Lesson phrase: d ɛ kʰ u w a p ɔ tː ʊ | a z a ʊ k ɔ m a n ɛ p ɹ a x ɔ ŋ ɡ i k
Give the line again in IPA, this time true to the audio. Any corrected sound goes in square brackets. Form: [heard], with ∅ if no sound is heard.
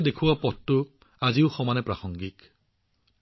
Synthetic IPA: d [e] kʰ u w a p ɔ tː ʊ | a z [i] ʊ [x] ɔ m a n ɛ p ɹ a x ɔ ŋ ɡ i k